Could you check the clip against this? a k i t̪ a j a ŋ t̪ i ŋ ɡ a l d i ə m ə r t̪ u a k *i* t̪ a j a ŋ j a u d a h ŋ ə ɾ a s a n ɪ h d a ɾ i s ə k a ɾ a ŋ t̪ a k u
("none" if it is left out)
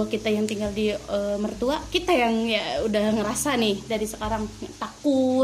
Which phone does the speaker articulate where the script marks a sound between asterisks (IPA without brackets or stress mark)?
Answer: i